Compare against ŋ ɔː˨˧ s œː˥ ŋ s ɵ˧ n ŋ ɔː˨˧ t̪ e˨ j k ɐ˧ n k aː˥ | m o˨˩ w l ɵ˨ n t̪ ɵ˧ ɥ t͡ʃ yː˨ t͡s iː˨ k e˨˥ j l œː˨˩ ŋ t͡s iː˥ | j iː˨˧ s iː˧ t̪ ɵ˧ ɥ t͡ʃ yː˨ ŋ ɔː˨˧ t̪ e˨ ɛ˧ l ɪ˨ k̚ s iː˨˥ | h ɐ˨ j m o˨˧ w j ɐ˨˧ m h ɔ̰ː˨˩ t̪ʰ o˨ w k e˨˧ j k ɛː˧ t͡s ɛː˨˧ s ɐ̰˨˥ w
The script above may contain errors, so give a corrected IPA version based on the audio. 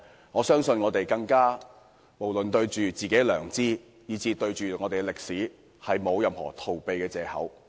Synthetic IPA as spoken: ŋ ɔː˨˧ s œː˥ ŋ s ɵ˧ n ŋ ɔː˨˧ t̪ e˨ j k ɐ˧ ŋ k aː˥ | m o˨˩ w l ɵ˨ n t̪ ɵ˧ ɥ t͡ʃ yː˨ t͡s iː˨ k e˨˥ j l œː˨˩ ŋ t͡s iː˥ | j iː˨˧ t͡s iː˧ t̪ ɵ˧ ɥ t͡ʃ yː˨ ŋ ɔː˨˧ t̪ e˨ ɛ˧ l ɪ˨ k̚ s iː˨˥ | h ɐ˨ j m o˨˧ w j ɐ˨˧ m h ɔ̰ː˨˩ t̪ʰ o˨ w p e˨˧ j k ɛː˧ t͡s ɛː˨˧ h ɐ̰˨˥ w